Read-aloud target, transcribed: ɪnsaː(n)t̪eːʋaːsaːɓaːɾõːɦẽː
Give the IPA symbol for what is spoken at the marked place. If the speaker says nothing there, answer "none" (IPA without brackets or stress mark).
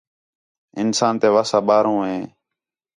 n